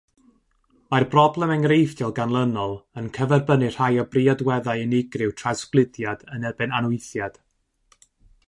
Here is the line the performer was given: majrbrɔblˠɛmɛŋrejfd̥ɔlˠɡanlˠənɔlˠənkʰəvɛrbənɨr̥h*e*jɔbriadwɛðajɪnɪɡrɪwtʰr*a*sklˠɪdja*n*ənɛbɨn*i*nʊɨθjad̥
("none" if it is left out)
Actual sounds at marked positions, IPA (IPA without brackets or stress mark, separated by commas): a, a, d, a